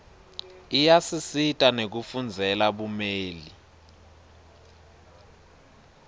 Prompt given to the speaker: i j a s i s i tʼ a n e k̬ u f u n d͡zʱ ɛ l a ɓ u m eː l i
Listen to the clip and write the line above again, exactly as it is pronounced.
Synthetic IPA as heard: i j a s i s i tʼ a n e k̬ u f u n d͡zʱ ɛ l a ɓ u m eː l i